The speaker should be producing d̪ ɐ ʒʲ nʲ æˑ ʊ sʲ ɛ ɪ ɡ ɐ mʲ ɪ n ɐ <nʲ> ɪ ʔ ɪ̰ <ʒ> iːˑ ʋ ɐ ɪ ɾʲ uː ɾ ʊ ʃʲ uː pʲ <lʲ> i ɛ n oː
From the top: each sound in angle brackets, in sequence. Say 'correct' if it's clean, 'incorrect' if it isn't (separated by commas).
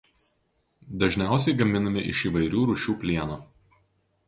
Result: incorrect, incorrect, correct